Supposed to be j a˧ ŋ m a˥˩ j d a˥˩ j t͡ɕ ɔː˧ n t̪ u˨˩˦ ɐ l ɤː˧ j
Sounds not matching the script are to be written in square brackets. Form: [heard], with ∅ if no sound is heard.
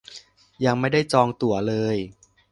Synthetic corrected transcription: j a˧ ŋ m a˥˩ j d a˥˩ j t͡ɕ ɔː˧ [ŋ] t̪ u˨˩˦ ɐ l ɤː˧ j